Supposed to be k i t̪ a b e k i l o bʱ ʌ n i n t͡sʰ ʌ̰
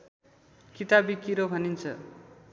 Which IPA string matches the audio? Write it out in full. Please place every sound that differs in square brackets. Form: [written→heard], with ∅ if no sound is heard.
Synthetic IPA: k i t̪ a b [e→i] k i [l→ɾ] o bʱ ʌ n i n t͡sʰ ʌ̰